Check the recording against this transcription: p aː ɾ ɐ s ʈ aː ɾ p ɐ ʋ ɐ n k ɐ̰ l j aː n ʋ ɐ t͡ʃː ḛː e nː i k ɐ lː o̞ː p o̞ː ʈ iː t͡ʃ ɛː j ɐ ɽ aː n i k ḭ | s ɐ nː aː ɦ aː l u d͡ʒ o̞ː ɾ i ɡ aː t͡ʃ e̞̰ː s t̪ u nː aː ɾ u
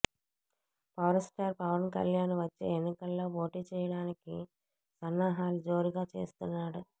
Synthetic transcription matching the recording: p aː ɾ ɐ s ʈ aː ɾ p ɐ ʋ ɐ n k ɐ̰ l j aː n ʋ ɐ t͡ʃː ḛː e nː i k ɐ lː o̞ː p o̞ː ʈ iː t͡ʃ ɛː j ɐ ɽ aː n i k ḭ | s ɐ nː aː ɦ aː l u d͡ʒ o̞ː ɾ i ɡ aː t͡ʃ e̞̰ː s t̪ u nː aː ɽ u